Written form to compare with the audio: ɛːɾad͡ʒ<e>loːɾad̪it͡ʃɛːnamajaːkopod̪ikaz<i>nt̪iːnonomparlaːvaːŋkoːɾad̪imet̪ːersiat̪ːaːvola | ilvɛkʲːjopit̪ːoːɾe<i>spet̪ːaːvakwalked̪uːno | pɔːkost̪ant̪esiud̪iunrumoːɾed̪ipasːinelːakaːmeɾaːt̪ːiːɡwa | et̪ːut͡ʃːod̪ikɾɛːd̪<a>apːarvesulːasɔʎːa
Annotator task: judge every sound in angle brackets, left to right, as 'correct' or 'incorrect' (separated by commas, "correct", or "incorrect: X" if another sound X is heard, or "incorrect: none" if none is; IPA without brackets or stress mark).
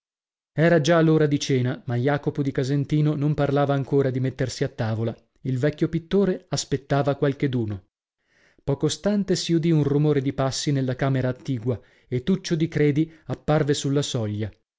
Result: incorrect: a, incorrect: e, incorrect: a, incorrect: i